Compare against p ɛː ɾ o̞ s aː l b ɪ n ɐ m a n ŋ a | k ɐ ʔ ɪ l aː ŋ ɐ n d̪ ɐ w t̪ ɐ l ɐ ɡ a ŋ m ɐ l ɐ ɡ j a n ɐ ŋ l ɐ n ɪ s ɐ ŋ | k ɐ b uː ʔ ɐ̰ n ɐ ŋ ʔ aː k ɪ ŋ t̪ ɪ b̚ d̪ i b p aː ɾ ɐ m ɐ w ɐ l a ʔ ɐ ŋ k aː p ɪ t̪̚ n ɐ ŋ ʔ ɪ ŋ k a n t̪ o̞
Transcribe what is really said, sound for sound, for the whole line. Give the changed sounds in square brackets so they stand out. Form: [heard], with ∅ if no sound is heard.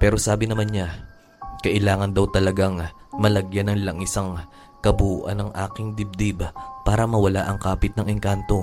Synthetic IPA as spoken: p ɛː ɾ o̞ s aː [∅] b ɪ n ɐ m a n [ɲ] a | k ɐ ʔ ɪ l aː ŋ ɐ n d̪ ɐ w t̪ ɐ l ɐ ɡ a ŋ m ɐ l ɐ ɡ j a n ɐ ŋ l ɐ [ŋ] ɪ s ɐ ŋ | k ɐ b uː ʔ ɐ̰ n ɐ ŋ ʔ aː k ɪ ŋ [d̪] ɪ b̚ d̪ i b p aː ɾ ɐ m ɐ w ɐ l a ʔ ɐ ŋ k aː p ɪ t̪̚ n ɐ ŋ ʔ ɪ ŋ k a n t̪ o̞